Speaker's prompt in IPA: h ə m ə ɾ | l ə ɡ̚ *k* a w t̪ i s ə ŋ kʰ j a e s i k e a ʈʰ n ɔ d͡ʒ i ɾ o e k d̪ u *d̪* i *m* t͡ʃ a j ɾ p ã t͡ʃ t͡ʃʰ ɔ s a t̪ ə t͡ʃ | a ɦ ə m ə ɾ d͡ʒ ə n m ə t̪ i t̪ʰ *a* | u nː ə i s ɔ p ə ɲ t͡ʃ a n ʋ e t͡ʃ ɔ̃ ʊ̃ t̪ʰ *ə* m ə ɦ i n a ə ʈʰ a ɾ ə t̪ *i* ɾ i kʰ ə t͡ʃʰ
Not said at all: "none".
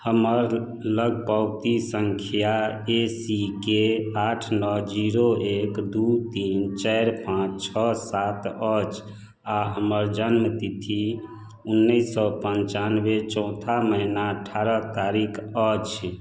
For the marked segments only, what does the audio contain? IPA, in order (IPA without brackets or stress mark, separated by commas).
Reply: p, t̪, n, i, a, a